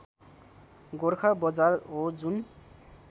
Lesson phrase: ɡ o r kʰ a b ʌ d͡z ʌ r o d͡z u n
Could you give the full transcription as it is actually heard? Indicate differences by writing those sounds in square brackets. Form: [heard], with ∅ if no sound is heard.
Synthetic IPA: ɡ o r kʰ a b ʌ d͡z [a] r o d͡z u n